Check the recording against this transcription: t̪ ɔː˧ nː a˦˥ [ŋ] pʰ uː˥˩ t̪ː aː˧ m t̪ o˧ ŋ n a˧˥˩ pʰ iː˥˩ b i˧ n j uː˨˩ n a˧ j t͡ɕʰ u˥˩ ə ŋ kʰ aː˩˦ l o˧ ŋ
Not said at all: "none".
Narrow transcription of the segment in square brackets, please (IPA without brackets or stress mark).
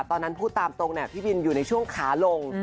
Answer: n